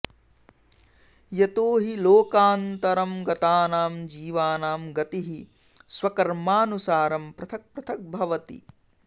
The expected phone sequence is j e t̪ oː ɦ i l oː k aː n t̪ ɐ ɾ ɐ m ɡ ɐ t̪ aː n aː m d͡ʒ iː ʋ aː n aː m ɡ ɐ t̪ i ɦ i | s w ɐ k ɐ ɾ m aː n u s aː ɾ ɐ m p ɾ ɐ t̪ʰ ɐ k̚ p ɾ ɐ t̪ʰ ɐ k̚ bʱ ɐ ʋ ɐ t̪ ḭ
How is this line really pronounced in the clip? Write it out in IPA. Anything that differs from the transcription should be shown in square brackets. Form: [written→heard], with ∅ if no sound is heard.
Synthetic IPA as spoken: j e t̪ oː ɦ i l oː k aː n t̪ ɐ ɾ ɐ m ɡ ɐ t̪ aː n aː m d͡ʒ iː ʋ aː n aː m ɡ ɐ t̪ i ɦ i | s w ɐ k ɐ ɾ m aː n u s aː ɾ ɐ m p ɾ ɐ t̪ʰ ɐ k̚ p ɾ ɐ t̪ʰ ɐ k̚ bʱ ɐ ʋ ɐ t̪ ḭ